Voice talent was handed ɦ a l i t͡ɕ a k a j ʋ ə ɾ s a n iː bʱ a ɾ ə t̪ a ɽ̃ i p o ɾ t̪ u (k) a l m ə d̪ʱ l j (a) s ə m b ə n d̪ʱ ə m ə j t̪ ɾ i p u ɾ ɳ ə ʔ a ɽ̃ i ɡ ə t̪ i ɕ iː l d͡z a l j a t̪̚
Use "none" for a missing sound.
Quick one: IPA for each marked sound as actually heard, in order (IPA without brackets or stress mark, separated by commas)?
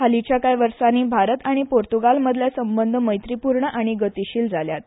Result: ɡ, a